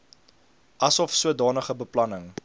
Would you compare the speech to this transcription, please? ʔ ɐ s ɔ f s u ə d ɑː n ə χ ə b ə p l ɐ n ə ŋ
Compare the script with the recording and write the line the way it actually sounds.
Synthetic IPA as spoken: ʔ ɐ s ɔ f s u ə d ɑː n ə χ ə b ə p l ɐ n ə ŋ